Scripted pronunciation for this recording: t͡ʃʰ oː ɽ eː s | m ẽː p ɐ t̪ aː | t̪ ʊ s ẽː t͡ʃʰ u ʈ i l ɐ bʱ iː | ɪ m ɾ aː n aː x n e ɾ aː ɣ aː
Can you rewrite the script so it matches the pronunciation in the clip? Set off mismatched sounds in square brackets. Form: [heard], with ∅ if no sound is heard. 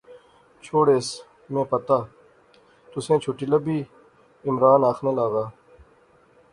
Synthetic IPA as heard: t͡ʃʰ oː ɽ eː s | m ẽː p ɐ t̪ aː | t̪ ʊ s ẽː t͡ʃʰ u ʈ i l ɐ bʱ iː | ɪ m ɾ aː n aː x n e [l] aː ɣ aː